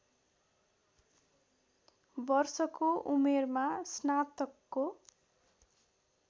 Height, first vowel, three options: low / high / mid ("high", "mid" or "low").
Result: mid